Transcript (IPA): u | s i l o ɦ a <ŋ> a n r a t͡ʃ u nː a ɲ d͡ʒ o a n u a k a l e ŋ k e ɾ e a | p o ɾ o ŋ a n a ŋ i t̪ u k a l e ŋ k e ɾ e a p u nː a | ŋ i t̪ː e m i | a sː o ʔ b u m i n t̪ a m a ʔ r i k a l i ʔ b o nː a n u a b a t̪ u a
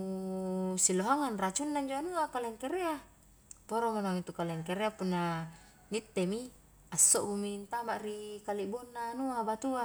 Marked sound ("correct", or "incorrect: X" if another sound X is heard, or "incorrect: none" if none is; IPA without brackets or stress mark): correct